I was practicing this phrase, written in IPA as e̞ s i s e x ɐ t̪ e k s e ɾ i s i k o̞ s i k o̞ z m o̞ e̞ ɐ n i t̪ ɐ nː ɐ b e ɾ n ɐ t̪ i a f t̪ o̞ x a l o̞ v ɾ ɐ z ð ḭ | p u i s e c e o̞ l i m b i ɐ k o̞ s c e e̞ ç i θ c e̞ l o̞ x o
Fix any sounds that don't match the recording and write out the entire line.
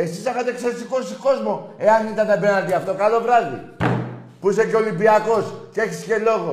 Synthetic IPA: e̞ s i s e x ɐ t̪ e k s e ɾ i s i k o̞ s i k o̞ z m o̞ e̞ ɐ n i t̪ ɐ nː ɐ b e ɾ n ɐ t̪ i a f t̪ o̞ k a l o̞ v ɾ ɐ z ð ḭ | p u i s e c e o̞ l i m b i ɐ k o̞ s c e e̞ ç i s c e̞ l o̞ ɣ o